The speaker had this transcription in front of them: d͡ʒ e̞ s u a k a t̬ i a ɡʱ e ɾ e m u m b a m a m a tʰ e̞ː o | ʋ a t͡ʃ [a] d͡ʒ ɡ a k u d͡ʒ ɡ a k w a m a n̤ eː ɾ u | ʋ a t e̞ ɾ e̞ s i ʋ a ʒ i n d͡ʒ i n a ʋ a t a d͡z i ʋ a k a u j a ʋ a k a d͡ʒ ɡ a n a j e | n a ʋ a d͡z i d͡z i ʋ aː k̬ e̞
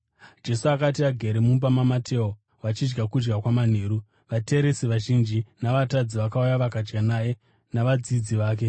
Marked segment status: incorrect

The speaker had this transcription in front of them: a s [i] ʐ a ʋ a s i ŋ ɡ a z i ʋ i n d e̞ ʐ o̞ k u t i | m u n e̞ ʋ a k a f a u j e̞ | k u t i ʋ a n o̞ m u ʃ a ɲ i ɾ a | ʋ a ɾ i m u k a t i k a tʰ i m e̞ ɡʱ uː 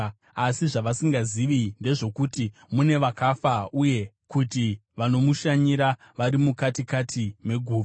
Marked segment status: correct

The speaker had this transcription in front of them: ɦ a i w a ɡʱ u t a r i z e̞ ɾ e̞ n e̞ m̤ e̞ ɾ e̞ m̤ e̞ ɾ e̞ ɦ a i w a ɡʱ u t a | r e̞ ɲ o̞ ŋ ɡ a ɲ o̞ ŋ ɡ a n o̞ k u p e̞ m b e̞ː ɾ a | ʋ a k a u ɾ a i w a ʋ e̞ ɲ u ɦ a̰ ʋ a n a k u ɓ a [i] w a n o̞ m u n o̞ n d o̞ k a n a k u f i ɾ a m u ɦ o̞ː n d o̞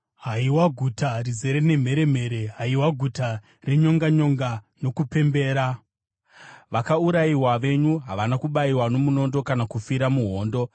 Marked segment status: correct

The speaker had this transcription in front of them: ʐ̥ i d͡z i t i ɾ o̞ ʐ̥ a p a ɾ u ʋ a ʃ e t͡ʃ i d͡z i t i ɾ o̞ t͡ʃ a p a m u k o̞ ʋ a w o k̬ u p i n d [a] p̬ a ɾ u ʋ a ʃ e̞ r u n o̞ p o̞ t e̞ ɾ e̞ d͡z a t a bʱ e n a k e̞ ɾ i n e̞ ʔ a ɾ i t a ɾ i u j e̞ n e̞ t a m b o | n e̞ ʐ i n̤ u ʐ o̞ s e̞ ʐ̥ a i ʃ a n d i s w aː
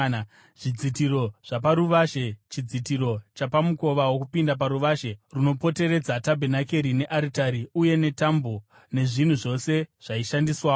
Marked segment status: correct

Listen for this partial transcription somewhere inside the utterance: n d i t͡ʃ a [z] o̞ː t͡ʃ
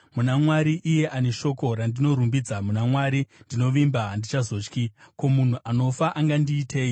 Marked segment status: correct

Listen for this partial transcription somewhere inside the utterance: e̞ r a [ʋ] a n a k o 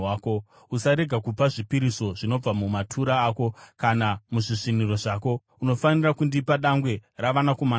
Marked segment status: correct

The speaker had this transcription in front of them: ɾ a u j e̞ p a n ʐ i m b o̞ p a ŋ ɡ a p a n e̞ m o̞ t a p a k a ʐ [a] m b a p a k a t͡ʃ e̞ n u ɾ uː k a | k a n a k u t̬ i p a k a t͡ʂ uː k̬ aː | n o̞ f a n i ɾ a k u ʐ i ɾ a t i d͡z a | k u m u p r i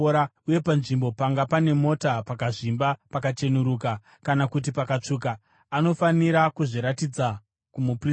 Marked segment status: incorrect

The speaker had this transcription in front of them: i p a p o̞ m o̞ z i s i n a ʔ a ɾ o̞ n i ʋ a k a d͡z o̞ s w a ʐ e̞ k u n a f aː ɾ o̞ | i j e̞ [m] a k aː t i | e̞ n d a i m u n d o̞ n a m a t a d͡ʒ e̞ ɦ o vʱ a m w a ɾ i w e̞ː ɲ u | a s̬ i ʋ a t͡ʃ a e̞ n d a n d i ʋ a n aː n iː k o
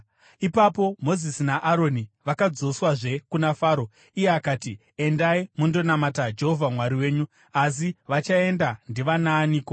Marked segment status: incorrect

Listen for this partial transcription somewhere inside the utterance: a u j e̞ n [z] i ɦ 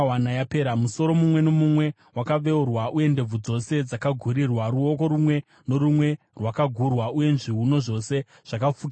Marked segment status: incorrect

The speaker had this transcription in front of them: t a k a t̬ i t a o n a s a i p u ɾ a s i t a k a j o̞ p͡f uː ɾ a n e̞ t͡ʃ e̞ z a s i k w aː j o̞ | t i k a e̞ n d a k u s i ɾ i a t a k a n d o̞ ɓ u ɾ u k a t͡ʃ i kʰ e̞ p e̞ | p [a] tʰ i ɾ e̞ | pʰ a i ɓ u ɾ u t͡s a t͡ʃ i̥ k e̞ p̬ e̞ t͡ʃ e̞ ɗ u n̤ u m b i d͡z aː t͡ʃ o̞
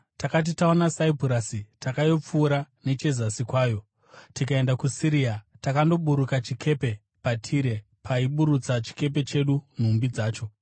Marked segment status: correct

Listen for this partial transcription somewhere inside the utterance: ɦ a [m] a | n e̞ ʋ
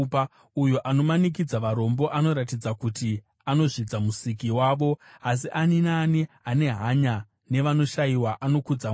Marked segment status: incorrect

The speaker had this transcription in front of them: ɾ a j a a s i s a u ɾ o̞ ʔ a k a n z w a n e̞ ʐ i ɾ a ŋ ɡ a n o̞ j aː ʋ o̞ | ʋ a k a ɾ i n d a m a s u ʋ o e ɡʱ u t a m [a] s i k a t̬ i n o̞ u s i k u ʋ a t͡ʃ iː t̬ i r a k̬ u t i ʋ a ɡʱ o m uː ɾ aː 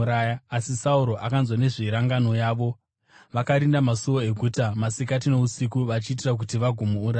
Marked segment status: correct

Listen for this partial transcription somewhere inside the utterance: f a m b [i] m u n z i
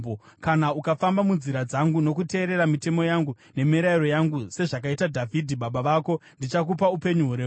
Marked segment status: incorrect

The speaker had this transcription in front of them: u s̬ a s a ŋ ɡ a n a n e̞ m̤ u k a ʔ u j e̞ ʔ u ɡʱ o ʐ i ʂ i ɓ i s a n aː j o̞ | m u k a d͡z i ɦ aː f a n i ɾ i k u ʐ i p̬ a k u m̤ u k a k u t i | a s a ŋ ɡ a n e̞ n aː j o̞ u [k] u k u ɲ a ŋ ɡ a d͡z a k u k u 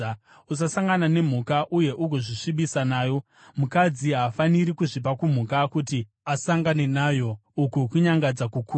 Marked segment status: correct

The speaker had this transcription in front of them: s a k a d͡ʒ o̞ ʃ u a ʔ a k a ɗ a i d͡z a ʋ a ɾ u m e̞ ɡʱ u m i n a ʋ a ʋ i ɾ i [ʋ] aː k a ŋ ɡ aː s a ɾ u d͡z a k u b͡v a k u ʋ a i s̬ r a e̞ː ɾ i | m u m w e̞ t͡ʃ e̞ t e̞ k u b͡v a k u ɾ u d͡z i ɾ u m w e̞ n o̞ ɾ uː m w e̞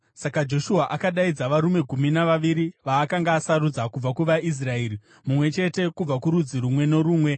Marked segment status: correct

